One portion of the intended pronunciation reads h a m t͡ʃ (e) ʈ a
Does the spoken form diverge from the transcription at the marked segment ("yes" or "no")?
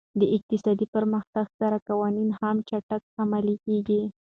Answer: yes